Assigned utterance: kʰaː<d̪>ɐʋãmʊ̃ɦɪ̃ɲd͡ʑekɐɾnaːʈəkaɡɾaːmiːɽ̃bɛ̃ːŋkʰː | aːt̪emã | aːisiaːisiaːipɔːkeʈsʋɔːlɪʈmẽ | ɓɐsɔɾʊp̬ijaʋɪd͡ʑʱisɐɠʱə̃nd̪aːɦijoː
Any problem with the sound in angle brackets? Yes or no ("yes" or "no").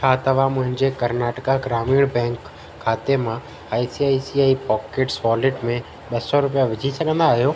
yes